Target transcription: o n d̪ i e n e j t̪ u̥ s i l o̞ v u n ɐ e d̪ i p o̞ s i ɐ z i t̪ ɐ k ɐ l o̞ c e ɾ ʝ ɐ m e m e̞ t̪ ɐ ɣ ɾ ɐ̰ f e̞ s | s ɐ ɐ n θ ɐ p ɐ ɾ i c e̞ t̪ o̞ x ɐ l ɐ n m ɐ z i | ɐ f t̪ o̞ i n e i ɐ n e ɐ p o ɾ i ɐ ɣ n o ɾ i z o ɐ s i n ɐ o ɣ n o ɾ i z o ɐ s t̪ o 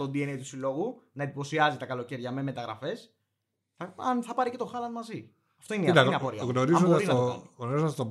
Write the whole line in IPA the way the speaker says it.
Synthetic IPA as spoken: o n d̪ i e n e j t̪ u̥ s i l o̞ ɣ u n ɐ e d̪ i p o̞ s i ɐ z i t̪ ɐ k ɐ l o̞ c e ɾ ʝ ɐ m e m e̞ t̪ ɐ ɣ ɾ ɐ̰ f e̞ s | θ ɐ ɐ n θ ɐ p ɐ ɾ i c e̞ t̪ o̞ x ɐ l ɐ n m ɐ z i | ɐ f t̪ o̞ i n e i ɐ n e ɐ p o ɾ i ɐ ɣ n o ɾ i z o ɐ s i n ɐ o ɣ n o ɾ i z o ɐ s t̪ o